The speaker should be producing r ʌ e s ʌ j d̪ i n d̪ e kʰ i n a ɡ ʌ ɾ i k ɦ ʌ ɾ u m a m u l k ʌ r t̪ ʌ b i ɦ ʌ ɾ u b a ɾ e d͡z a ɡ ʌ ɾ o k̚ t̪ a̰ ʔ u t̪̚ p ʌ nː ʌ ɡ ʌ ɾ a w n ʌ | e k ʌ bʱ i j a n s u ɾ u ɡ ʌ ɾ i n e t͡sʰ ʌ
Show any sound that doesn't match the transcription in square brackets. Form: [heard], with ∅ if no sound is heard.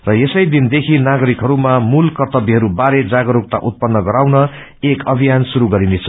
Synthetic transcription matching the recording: r ʌ e s ʌ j d̪ i n d̪ e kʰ i n a ɡ ʌ ɾ i k ɦ ʌ ɾ u m a m u l k ʌ r t̪ ʌ b i ɦ ʌ ɾ u b a ɾ e d͡z a ɡ ʌ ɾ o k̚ t̪ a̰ ʔ u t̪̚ p ʌ nː ʌ ɡ ʌ ɾ a w n ʌ | e k ʌ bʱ i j a n s u ɾ u ɡ ʌ ɾ i n e t͡sʰ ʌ